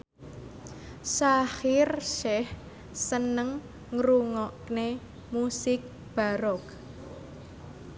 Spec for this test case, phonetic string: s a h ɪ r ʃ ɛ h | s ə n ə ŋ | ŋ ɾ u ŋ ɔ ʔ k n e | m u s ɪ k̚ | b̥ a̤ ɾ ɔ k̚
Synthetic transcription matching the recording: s a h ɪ r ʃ ɛ h | s ə n ə ŋ | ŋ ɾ u ŋ ɔ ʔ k n e | m u s ɪ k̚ | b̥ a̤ ɾ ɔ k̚